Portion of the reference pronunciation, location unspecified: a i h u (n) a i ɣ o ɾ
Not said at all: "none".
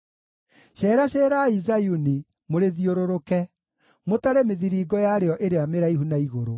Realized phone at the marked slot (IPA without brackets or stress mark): n